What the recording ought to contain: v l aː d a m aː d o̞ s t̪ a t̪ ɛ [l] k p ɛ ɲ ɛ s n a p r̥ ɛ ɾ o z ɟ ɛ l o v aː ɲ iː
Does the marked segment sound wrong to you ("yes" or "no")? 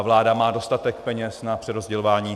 yes